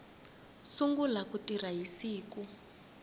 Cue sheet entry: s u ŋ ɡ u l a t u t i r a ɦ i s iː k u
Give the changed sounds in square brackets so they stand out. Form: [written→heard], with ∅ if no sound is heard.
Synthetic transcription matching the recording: s u ŋ ɡ u l a [t→k] u t i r a ɦ i s iː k u